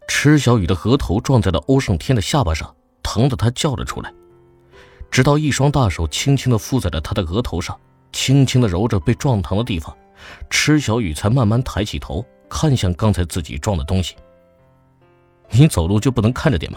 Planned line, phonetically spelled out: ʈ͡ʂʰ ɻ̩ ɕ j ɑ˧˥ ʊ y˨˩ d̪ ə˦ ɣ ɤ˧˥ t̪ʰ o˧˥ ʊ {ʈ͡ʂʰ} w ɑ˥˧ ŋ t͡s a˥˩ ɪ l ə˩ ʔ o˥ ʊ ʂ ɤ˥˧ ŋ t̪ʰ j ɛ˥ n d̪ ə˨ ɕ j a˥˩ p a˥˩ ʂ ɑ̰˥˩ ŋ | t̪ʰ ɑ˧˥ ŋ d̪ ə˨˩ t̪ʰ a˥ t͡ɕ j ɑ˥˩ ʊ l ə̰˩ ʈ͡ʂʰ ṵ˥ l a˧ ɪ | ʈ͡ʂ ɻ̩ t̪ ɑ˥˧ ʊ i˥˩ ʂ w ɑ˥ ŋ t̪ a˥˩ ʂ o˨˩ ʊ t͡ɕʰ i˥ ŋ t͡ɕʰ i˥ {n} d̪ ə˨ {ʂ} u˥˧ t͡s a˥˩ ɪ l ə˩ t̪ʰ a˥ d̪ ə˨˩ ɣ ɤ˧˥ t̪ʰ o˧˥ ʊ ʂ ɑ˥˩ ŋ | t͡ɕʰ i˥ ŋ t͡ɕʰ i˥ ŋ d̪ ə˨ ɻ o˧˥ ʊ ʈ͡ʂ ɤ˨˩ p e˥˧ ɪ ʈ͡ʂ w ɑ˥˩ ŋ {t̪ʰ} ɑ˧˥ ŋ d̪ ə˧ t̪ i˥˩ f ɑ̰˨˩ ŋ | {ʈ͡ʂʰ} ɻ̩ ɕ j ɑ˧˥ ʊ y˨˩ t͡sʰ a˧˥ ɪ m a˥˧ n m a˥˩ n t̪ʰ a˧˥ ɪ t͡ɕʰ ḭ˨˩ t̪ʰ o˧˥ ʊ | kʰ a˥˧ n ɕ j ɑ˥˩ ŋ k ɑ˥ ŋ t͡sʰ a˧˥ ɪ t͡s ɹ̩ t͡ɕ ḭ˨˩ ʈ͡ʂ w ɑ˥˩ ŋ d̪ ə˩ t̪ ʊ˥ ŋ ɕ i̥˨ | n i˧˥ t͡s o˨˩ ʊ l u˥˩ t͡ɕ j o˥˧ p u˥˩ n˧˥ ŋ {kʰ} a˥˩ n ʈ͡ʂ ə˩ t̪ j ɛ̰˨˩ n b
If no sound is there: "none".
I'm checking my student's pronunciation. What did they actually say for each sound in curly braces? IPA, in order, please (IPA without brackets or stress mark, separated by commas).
ʈ͡ʂ, ŋ, f, t̪ʰ, ʈ͡ʂʰ, kʰ